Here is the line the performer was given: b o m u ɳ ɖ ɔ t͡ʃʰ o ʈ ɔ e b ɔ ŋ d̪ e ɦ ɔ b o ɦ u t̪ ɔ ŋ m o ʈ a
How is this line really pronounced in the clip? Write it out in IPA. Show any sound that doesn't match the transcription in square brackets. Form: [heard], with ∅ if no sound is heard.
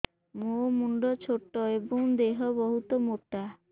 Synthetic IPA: [m] o m u ɳ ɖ ɔ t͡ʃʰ o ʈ ɔ e b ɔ ŋ d̪ e ɦ ɔ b [ɔ] ɦ u t̪ ɔ [∅] m o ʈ a